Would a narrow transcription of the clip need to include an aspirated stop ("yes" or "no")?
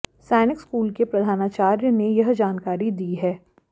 no